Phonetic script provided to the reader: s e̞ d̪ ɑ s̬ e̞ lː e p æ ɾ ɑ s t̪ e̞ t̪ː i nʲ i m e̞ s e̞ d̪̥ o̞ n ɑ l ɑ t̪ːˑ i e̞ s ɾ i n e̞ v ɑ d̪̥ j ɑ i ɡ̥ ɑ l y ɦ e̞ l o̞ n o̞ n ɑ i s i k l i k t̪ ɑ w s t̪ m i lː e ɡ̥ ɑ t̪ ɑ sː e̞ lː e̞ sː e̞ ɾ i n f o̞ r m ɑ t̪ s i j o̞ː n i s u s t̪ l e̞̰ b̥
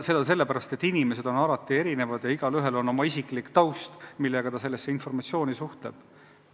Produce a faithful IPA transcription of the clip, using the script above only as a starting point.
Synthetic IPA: s e̞ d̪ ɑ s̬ e̞ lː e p æ ɾ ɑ s t̪ e̞ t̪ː i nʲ i m e̞ s e̞ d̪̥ o̞ n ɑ l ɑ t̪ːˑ i e̞ ɾ i n e̞ v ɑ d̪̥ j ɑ i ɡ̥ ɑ l y ɦ e̞ l o̞ n o̞ m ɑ i s i k l i k t̪ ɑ w s t̪ m i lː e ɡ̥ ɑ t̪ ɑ s e̞ lː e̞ sː e̞ i n f o̞ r m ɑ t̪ s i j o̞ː n i s u h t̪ l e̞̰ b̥